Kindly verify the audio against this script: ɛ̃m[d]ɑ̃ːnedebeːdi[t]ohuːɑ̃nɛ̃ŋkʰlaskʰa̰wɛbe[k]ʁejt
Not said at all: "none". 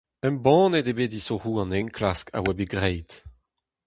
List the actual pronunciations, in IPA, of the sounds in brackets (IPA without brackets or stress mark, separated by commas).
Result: b, s, ɡ